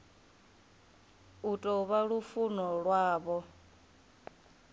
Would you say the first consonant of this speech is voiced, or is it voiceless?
voiceless